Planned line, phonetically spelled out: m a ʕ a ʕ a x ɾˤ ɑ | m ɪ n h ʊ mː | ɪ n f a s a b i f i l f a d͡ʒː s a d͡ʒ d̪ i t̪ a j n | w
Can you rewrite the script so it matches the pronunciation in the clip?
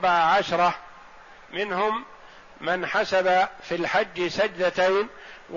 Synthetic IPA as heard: b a ʕ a ʕ a ʃ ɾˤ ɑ | m ɪ n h ʊ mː | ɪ n ħ a s a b a f i l ħ a d͡ʒː s a d͡ʒ d̪ a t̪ a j n | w